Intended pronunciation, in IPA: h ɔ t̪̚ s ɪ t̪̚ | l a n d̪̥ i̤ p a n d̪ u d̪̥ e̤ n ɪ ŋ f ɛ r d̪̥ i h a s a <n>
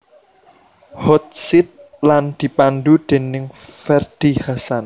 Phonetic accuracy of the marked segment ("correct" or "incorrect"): correct